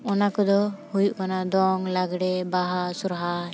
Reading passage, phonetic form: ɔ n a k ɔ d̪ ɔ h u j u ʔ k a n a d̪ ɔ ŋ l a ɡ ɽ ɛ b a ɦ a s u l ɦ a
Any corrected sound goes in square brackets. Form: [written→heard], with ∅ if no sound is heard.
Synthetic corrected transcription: ɔ n a k ɔ d̪ ɔ h u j u ʔ k a n a d̪ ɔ ŋ l a ɡ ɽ ɛ b a ɦ a s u [l→ɾ] ɦ a